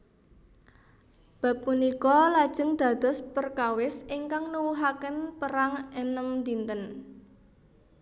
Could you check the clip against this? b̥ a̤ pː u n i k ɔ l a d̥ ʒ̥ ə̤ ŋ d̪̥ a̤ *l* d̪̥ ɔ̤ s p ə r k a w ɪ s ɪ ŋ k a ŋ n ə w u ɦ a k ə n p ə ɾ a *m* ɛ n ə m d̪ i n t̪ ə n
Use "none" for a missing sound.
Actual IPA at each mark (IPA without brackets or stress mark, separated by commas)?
none, ŋ